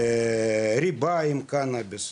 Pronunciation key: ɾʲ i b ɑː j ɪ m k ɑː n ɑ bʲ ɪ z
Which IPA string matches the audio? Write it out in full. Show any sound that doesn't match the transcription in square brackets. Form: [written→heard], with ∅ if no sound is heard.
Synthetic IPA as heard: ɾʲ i b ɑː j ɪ m k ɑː n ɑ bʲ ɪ [z→s]